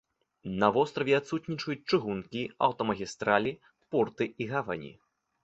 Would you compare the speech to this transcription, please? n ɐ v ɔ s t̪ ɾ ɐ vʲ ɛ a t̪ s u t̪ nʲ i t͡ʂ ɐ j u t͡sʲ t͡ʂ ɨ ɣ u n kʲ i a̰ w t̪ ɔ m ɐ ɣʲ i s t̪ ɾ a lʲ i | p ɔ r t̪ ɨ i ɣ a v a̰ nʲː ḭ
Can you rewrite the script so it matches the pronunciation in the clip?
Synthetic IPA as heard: n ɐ v ɔ s t̪ ɾ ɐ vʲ ɛ a t̪ s u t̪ nʲ i t͡ʂ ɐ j u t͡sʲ t͡ʂ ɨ ɣ u n kʲ i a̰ w t̪ ɔ m ɐ ɣʲ i s t̪ ɾ a lʲ i | p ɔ r t̪ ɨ i ɣ a v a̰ nʲ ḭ